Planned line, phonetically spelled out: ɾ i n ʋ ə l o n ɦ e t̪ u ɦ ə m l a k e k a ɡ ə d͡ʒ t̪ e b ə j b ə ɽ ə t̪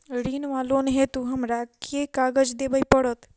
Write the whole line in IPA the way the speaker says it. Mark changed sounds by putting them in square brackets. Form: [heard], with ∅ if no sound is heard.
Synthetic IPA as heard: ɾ i n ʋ [a] l o n ɦ e t̪ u ɦ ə m [ɾ] a k e k a ɡ ə d͡ʒ [d̪] e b ə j [p] ə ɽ ə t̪